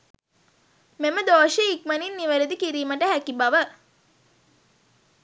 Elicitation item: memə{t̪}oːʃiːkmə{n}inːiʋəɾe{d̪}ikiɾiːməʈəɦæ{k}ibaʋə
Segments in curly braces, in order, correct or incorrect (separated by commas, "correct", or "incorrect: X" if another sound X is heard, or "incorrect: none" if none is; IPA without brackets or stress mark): incorrect: d̪, correct, correct, correct